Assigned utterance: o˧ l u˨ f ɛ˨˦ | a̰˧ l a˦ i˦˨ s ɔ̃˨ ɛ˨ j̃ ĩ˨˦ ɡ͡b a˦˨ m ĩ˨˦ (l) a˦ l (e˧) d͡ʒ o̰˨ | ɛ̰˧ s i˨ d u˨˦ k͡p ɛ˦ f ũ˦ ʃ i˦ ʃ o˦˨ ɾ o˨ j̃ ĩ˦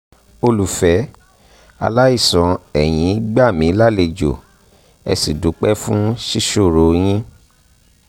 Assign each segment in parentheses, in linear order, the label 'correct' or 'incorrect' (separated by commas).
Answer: correct, correct